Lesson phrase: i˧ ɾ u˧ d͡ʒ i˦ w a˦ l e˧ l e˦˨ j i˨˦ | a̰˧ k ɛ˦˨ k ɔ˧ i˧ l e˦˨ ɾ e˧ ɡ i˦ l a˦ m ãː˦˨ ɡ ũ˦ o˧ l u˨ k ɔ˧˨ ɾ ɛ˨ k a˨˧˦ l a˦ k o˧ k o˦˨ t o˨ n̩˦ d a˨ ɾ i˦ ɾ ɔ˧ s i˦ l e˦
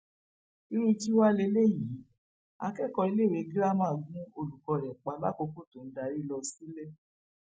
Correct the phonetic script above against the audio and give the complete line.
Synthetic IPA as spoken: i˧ ɾ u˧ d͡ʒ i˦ w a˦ l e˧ l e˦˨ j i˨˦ | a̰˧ k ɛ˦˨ k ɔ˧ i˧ l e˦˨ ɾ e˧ ɡ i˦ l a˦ m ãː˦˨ ɡ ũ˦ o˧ l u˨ k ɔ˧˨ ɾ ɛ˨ k͡p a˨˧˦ l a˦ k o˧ k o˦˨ t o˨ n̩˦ d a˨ ɾ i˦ l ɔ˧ s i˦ l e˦

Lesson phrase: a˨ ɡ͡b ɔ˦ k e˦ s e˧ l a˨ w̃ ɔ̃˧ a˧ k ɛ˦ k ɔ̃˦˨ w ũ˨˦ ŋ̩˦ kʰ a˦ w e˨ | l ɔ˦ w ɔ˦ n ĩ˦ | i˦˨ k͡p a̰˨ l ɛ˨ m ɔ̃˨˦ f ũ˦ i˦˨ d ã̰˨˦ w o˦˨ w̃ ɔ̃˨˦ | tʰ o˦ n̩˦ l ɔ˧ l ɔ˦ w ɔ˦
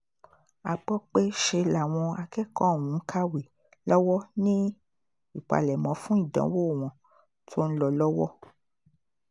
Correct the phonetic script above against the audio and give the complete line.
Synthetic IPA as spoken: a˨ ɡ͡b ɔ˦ k͡p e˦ ʃ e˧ l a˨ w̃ ɔ̃˧ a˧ k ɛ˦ k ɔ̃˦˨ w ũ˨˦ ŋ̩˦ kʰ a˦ w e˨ | l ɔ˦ w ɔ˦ n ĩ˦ | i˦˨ k͡p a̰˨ l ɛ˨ m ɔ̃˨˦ f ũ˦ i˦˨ d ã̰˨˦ w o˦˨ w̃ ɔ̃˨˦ | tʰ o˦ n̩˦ l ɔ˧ l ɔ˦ w ɔ˦

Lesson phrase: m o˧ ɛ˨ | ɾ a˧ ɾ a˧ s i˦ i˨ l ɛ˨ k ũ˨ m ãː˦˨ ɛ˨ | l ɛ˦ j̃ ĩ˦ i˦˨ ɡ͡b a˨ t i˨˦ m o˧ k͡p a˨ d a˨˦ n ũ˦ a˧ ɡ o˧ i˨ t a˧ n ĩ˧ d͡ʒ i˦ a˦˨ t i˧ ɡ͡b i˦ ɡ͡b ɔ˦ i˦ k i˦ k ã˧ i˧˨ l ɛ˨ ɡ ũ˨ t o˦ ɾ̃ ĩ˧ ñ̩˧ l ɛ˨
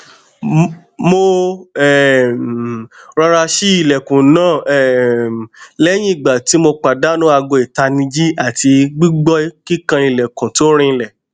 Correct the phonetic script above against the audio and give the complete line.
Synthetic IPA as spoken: m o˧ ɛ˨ | ɾ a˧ ɾ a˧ ʃ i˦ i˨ l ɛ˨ k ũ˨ n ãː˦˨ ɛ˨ | l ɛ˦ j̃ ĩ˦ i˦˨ ɡ͡b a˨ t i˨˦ m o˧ k͡p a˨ d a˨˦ n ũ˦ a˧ ɡ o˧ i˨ t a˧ n ĩ˧ d͡ʒ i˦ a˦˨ t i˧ ɡ͡b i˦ ɡ͡b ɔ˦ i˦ k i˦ k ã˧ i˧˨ l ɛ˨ k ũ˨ t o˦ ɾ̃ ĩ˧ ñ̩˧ l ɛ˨

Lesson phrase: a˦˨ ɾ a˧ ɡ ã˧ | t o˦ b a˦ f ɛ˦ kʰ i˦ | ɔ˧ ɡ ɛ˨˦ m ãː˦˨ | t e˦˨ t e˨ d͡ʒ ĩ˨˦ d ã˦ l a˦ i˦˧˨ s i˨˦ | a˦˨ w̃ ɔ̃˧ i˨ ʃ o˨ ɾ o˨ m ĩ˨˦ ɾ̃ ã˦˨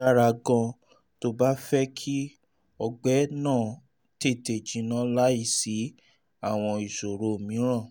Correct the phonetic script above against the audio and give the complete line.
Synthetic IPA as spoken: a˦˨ ɾ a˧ ɡ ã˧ | t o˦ b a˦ f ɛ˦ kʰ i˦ | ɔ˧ ɡ͡b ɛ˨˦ n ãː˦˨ | t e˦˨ t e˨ d͡ʒ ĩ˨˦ n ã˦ l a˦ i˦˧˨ s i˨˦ | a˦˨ w̃ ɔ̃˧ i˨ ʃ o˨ ɾ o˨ m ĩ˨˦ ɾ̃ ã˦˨

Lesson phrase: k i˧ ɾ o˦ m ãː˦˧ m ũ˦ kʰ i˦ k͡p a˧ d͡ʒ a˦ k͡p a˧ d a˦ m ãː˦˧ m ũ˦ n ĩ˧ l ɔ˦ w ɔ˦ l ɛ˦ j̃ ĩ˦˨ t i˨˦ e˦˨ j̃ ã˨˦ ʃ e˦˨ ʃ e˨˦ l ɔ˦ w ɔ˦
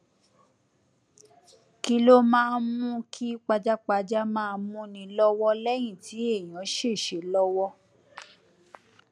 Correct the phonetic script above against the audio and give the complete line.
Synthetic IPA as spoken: k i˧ l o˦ m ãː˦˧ m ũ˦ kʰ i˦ k͡p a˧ d͡ʒ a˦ k͡p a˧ d͡ʒ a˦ m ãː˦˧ m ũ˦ n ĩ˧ l ɔ˦ w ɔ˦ l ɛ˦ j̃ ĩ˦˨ t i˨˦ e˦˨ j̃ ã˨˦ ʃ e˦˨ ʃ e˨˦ l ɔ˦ w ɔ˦

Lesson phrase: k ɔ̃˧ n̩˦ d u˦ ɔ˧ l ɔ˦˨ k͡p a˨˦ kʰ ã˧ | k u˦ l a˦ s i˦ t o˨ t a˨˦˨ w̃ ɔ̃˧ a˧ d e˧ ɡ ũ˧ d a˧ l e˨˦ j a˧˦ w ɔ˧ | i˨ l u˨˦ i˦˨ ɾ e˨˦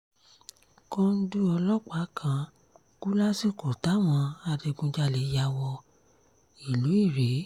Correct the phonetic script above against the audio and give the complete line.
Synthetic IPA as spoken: k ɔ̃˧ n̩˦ d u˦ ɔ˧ l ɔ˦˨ k͡p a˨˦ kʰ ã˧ | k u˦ l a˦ s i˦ k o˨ t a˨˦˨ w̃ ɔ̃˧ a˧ d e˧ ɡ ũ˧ d͡ʒ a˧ l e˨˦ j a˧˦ w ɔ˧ | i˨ l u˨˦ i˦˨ ɾ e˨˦

